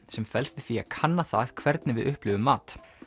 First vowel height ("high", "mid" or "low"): mid